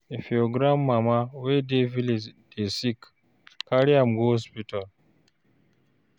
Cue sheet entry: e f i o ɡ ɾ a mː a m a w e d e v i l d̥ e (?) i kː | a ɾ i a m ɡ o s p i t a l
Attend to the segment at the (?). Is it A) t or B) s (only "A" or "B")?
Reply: B